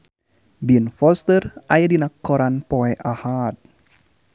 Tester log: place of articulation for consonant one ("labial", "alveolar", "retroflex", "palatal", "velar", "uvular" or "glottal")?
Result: labial